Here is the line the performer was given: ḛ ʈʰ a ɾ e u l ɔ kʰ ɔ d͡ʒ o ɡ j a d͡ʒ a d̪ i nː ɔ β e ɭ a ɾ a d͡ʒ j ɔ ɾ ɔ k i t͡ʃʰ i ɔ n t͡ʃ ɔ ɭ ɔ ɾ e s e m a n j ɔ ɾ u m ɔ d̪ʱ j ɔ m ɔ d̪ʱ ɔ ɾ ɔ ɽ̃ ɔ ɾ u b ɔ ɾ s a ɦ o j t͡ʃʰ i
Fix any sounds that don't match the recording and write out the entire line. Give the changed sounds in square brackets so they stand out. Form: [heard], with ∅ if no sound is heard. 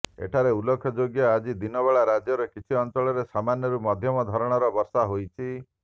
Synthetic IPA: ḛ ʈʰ a ɾ e u l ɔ kʰ ɔ d͡ʒ o ɡ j a d͡ʒ [i] d̪ i [n] ɔ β e ɭ a ɾ a d͡ʒ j ɔ ɾ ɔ k i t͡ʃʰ i ɔ n t͡ʃ ɔ ɭ ɔ ɾ e s [a] m a n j ɔ ɾ u m ɔ d̪ʱ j ɔ m ɔ d̪ʱ ɔ ɾ ɔ ɽ̃ ɔ ɾ [ɔ] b ɔ ɾ s a ɦ o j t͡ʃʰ i